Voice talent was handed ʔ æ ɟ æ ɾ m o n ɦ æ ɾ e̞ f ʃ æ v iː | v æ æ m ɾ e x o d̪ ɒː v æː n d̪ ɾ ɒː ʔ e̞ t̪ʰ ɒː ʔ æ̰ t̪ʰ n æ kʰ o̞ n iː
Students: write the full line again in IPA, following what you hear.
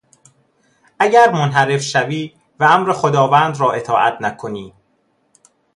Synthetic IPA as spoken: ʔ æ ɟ æ ɾ m o n ɦ æ ɾ e̞ f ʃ æ v iː | v æ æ m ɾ e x o d̪ ɒː v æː n d̪ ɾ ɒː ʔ e̞ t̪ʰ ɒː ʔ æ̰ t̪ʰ n æ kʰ o̞ n iː